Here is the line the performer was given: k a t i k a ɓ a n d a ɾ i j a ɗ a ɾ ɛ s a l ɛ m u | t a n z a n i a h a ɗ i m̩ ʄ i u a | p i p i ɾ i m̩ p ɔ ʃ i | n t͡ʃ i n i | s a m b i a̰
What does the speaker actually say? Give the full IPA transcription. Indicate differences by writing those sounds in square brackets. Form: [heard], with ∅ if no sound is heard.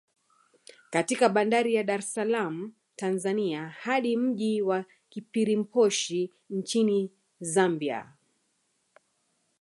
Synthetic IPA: k a t i k a ɓ a n d a ɾ i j a ɗ a ɾ ɛ s a l [a] m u | t a n z a n i a h a ɗ i m̩ ʄ i [w] a | [k] i p i ɾ i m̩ p ɔ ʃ i | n t͡ʃ i n i | [z] a m b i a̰